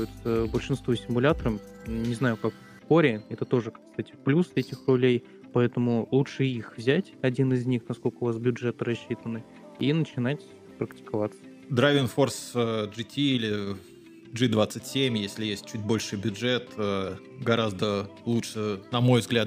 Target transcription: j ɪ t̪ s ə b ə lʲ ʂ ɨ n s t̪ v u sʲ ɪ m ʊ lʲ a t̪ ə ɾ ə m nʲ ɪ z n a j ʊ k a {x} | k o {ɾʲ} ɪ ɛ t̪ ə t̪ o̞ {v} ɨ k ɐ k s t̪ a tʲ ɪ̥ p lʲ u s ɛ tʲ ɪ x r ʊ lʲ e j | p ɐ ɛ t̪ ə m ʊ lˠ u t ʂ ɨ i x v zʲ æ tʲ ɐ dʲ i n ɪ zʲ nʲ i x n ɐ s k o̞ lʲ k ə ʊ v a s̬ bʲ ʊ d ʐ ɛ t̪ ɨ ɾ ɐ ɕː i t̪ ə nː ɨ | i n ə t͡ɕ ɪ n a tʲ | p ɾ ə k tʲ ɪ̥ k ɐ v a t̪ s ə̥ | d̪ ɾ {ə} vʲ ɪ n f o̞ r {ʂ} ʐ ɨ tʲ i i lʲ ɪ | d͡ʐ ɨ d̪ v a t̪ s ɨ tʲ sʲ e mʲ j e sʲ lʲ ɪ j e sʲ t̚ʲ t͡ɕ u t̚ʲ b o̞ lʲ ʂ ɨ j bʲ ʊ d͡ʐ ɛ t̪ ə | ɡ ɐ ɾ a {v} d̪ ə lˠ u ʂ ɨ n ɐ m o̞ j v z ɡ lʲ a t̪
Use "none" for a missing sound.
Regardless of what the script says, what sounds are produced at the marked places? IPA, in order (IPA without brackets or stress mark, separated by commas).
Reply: k, ɾʲ, ʐ, a, s, z